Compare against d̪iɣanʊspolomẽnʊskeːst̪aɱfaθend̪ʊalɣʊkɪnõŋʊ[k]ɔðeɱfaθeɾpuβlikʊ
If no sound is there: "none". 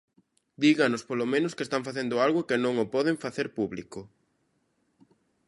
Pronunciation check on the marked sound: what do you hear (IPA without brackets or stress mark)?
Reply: p